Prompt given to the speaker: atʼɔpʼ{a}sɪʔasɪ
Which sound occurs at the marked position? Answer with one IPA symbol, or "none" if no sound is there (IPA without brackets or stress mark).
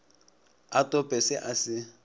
ɛ